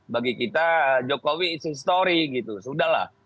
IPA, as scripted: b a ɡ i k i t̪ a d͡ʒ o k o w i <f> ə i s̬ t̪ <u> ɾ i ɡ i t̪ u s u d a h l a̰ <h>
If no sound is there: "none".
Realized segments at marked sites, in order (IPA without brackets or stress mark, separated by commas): s, o, h